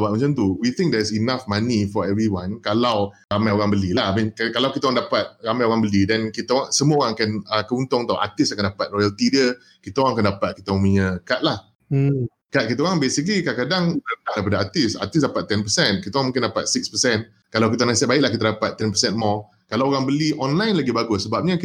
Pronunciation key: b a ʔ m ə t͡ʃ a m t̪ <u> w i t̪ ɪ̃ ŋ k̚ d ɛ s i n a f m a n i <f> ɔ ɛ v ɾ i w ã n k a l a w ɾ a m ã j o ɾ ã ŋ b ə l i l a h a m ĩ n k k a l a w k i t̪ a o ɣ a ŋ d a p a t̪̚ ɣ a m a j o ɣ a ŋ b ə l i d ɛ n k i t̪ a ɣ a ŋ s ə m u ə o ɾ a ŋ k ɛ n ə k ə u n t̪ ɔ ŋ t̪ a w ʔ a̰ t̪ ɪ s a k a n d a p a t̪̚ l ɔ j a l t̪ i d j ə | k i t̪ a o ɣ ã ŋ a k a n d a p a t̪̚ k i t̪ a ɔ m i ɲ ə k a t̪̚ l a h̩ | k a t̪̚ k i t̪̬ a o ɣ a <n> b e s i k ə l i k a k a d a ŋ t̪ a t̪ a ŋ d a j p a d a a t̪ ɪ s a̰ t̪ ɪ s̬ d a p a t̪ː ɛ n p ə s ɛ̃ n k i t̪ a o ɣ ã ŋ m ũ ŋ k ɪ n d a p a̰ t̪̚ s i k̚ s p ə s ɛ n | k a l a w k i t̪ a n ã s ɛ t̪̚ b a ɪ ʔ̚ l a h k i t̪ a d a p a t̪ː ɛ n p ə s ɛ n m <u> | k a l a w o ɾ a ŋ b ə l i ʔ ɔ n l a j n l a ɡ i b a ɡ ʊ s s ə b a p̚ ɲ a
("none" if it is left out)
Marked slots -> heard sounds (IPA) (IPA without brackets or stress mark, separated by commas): u, f, ŋ, ɔ